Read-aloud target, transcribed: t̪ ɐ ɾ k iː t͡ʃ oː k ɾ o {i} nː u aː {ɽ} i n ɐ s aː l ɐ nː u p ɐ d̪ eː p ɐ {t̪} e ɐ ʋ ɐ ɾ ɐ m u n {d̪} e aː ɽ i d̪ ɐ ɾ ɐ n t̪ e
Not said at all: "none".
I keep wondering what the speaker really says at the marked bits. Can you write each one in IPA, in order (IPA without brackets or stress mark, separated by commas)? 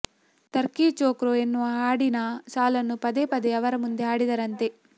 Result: e, ɽ, d̪, d̪